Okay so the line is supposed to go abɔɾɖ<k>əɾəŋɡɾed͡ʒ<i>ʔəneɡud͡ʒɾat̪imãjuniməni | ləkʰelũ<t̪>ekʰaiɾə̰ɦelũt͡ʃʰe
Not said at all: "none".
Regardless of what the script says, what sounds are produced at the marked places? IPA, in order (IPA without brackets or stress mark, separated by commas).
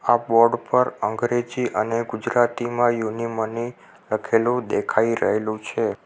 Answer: p, i, d̪